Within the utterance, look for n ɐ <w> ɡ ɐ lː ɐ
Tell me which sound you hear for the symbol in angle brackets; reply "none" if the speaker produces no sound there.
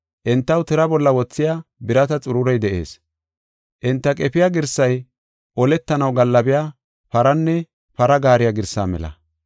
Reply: w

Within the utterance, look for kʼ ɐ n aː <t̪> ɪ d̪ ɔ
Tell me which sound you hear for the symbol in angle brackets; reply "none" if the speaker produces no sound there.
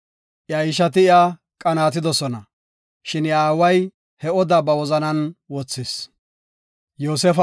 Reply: t̪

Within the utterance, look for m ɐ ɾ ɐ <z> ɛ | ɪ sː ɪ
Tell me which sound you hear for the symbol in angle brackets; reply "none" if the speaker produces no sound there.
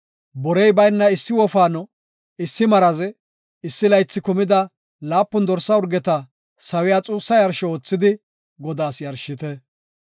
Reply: z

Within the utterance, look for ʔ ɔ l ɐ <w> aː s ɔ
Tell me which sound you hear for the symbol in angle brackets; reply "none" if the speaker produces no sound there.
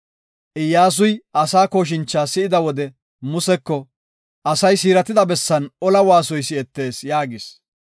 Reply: w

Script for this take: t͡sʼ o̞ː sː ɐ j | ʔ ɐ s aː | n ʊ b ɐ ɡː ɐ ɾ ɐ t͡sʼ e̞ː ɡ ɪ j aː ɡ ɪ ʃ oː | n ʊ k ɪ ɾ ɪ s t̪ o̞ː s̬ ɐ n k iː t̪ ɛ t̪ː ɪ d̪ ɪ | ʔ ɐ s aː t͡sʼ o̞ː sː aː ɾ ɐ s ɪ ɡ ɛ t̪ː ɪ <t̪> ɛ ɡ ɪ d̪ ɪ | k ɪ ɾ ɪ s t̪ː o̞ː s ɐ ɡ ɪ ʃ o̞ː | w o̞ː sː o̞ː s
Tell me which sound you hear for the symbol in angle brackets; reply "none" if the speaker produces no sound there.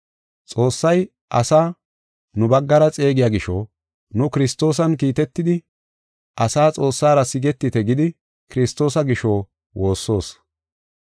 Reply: t̪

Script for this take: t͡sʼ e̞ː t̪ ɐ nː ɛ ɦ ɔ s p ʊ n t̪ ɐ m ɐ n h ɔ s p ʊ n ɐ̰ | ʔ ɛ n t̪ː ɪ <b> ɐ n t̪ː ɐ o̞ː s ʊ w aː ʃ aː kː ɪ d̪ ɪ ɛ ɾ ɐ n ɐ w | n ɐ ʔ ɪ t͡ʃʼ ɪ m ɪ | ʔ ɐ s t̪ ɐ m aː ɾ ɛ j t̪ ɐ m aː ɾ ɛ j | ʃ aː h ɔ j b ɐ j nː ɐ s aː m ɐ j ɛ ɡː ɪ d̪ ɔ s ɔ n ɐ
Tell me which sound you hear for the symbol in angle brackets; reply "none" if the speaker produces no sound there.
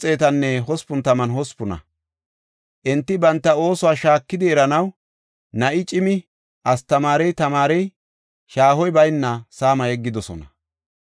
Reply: b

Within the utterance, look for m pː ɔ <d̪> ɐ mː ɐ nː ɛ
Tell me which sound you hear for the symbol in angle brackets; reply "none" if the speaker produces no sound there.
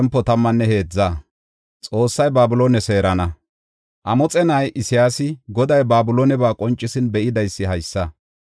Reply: t̪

